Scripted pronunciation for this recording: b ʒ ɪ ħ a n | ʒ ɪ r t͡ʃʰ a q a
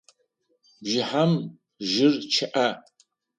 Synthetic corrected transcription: b ʒ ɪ ħ a m | ʒ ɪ r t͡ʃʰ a ʔ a

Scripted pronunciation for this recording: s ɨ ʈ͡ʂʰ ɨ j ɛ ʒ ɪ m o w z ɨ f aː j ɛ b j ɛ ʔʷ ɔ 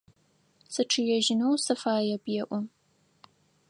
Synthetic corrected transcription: s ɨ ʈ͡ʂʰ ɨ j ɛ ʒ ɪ n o w s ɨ f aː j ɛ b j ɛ ʔʷ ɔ

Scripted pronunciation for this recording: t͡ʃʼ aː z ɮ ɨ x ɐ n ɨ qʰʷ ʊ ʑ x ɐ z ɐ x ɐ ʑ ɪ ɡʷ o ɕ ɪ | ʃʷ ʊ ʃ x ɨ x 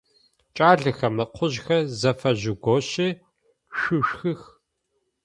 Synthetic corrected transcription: t͡ʃʼ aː ɮ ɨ x ɐ m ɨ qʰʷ ʊ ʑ x ɐ z ɐ f ɐ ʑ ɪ ɡʷ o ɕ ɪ | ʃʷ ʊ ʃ x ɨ x

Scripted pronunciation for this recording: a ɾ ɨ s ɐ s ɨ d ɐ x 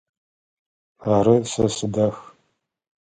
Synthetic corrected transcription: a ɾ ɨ s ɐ s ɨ d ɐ x

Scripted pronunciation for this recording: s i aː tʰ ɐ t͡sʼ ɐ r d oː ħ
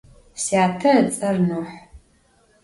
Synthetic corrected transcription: s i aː tʰ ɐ t͡sʼ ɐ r n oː ħ

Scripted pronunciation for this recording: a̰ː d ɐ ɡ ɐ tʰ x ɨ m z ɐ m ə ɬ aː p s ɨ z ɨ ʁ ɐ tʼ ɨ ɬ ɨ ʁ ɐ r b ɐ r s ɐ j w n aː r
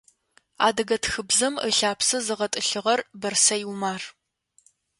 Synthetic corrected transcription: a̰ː d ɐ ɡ ɐ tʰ x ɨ b z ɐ m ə ɬ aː p s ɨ z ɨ ʁ ɐ tʼ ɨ ɬ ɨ ʁ ɐ r b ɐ r s ɐ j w m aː r

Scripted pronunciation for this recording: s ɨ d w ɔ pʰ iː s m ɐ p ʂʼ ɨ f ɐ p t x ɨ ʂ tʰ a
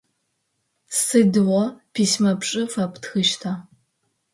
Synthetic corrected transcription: s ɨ d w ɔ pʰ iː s m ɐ p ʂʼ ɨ f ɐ p t x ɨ ʃ tʰ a

